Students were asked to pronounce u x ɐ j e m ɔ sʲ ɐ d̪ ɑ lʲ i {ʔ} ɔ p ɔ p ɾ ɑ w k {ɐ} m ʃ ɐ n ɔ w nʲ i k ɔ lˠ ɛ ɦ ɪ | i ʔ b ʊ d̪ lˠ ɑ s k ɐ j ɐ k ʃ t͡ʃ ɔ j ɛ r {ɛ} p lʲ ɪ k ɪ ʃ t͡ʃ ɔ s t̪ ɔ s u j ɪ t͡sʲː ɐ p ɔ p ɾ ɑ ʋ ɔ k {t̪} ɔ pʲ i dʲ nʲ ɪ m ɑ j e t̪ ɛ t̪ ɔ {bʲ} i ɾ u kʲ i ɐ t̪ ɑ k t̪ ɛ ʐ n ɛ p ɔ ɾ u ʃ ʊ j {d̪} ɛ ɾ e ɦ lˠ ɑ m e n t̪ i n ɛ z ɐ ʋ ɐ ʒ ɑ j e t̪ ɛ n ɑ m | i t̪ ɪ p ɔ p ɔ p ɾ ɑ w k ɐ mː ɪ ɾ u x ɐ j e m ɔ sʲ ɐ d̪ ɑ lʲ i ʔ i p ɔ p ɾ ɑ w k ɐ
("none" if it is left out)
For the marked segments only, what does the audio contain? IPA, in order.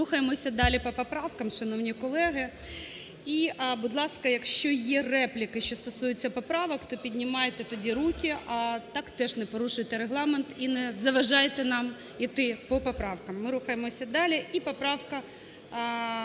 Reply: p, ɐ, ɛ, t̪, dʲ, t̪

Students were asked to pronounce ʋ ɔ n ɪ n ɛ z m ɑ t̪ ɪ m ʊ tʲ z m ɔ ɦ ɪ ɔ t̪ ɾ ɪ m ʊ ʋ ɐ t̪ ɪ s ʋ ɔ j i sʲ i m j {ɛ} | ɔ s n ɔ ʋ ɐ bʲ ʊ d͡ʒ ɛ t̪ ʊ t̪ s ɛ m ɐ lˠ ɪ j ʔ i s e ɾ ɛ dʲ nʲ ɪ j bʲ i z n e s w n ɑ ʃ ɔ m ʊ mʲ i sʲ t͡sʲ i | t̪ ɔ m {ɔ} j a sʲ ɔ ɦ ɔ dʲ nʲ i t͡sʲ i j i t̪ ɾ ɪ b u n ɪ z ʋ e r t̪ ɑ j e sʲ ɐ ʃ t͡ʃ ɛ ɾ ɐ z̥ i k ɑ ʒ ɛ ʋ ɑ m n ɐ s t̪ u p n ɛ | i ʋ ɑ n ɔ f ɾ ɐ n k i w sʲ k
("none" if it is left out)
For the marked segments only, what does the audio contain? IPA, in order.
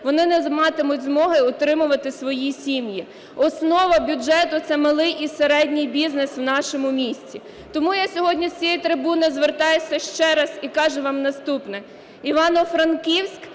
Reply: i, u

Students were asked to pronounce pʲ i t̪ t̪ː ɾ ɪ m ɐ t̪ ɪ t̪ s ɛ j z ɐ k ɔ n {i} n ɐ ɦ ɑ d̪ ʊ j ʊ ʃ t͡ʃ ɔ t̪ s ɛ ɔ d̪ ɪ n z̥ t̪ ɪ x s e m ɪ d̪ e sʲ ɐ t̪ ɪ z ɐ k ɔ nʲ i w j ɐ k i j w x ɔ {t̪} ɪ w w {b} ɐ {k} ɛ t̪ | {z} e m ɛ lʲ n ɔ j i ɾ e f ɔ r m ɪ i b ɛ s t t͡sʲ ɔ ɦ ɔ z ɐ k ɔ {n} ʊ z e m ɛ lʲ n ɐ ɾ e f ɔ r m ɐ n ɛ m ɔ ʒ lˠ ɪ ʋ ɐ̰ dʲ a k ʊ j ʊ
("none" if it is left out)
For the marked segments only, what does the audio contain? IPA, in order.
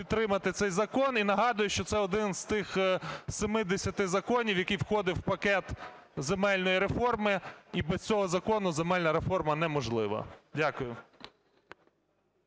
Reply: i, d̪, p, k, z, n

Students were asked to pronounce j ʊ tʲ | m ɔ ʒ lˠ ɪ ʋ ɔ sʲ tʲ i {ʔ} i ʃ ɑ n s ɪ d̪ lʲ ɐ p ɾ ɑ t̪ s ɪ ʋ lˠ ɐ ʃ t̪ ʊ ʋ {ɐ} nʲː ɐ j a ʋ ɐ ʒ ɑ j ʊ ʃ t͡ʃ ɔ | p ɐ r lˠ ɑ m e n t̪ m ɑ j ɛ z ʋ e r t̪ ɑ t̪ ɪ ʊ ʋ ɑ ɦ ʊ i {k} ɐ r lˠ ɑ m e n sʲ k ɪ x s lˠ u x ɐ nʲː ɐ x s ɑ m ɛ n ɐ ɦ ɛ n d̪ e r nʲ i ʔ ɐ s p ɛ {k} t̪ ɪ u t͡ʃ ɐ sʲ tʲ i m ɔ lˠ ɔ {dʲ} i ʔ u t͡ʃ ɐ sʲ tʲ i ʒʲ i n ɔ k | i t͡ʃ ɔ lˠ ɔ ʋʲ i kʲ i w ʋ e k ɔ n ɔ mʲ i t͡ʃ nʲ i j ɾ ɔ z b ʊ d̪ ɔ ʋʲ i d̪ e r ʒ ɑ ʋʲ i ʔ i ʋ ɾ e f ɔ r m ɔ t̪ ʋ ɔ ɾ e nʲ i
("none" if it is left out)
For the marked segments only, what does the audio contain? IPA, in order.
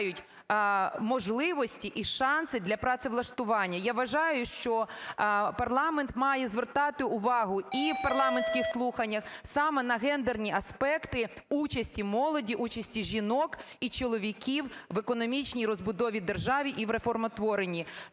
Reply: ʔ, ɑ, p, k, dʲ

